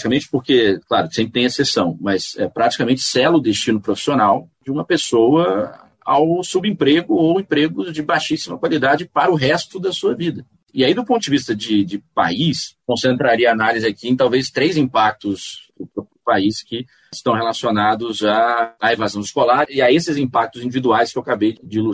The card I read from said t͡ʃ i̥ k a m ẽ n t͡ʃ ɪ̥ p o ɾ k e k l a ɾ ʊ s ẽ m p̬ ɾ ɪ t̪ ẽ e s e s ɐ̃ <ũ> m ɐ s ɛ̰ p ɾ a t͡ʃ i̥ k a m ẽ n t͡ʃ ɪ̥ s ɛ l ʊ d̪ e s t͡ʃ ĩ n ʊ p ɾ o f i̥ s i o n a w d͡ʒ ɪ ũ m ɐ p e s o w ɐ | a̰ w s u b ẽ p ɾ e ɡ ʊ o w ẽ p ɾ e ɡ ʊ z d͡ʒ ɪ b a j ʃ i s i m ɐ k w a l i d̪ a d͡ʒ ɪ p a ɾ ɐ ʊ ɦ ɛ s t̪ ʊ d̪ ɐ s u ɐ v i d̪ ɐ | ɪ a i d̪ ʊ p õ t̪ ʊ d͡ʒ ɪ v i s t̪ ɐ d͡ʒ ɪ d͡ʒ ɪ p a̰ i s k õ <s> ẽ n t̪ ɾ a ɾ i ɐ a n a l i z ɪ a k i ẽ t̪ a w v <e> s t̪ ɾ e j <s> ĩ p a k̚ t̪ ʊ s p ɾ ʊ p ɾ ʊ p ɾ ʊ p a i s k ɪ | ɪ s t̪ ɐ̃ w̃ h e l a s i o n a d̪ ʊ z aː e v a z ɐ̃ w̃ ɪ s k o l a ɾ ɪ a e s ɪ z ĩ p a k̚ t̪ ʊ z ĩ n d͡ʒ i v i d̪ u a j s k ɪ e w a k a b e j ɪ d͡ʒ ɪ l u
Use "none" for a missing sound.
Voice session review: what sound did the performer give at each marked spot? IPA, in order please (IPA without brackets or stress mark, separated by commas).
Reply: w̃, s, e, z